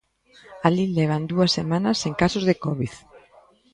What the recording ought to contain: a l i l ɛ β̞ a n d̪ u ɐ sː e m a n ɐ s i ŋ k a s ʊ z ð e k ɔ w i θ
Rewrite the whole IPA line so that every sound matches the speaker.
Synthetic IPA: a l i l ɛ β̞ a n d̪ u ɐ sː e m a n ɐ s e ŋ k a s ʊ z ð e k ɔ β i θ

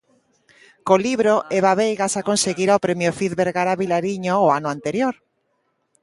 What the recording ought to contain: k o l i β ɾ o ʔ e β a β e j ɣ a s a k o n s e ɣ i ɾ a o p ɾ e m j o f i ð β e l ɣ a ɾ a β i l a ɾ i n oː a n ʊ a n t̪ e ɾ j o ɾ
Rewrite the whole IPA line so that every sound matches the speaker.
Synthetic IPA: k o l i β ɾ o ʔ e β a β e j ɣ a s a k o n s e ɣ i ɾ a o p ɾ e m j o f i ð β e ɾ ɣ a ɾ a β i l a ɾ i ɲ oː a n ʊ a n t̪ e ɾ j o ɾ

